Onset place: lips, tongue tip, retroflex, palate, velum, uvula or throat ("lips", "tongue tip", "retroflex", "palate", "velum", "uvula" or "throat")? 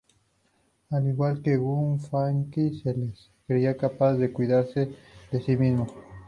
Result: tongue tip